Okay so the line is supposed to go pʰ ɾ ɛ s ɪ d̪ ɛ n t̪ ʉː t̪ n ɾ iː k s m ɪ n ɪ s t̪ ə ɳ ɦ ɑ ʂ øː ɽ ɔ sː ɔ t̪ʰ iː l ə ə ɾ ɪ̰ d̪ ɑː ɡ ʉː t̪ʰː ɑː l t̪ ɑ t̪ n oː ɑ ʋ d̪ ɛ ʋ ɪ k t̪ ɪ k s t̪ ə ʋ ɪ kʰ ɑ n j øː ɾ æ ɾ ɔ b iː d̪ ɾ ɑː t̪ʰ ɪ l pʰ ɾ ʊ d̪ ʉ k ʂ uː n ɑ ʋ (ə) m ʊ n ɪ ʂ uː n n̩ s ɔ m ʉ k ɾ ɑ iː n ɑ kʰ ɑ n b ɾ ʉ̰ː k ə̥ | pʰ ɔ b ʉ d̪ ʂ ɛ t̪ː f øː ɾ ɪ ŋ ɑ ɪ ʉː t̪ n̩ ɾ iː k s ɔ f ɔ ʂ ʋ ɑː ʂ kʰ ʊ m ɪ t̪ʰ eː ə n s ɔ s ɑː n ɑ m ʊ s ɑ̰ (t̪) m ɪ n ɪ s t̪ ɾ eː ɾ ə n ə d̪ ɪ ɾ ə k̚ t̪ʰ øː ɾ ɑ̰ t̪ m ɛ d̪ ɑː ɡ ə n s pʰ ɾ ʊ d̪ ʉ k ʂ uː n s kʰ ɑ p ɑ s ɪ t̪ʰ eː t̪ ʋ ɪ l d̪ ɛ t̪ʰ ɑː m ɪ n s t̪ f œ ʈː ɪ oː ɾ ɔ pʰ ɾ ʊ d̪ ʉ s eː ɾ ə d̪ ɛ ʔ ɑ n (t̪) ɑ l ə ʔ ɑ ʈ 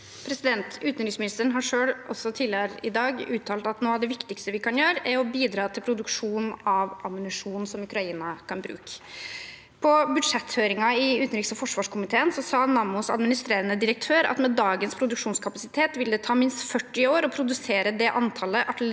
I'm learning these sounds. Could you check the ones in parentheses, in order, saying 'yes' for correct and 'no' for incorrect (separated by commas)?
no, no, no